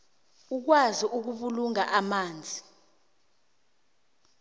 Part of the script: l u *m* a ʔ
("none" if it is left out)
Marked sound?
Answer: ŋ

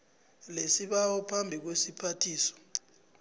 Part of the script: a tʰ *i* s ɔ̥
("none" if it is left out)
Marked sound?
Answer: iː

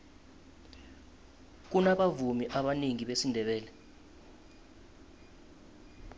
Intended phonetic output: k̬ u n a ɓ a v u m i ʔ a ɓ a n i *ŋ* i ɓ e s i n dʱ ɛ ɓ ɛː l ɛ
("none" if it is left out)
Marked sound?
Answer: ŋ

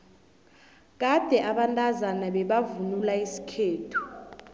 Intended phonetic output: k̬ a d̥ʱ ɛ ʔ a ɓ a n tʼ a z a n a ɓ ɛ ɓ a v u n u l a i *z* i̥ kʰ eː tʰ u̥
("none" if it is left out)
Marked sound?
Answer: s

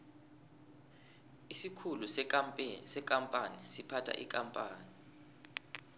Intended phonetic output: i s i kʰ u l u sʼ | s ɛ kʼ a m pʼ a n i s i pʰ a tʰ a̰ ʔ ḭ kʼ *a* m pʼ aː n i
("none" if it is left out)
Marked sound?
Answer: a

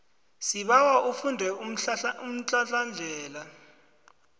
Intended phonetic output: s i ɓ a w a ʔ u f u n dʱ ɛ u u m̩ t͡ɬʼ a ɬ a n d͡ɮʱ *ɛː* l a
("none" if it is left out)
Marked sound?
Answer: ɛː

